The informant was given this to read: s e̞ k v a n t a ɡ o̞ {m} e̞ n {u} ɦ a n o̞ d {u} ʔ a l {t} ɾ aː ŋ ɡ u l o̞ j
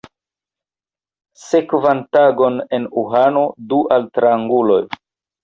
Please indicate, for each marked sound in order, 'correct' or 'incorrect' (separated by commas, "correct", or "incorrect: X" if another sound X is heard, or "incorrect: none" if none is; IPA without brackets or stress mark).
incorrect: n, correct, correct, correct